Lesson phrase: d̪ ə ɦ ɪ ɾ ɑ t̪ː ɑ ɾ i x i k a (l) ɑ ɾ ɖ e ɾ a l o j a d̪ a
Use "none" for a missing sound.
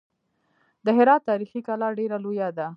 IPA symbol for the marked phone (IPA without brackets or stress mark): l